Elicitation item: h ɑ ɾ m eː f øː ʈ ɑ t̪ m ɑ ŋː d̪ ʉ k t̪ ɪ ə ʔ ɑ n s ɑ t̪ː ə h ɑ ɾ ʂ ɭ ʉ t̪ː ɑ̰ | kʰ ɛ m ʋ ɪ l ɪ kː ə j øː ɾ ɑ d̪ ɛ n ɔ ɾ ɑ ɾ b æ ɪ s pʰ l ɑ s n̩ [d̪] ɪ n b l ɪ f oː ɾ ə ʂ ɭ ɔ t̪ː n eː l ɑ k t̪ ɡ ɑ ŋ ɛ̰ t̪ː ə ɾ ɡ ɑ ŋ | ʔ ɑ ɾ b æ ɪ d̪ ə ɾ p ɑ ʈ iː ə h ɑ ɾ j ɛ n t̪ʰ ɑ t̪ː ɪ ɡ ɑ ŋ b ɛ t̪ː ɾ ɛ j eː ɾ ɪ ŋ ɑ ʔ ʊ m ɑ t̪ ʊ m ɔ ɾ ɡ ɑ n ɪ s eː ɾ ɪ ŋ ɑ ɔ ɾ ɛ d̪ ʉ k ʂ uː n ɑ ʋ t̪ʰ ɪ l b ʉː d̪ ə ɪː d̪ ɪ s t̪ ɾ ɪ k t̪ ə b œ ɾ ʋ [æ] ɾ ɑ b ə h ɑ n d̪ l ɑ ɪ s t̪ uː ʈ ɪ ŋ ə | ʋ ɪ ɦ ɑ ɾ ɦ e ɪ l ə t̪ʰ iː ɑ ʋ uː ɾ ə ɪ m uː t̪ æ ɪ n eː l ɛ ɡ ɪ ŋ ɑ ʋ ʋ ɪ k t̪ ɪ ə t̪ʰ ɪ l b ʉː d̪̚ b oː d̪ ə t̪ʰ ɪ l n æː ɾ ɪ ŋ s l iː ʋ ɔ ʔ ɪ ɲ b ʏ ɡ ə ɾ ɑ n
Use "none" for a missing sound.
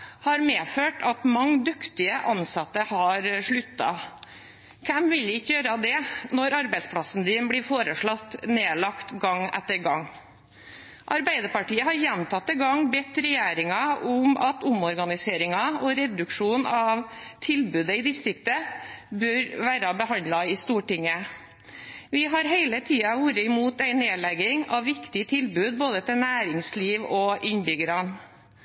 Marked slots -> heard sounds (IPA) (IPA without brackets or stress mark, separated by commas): d̪, æː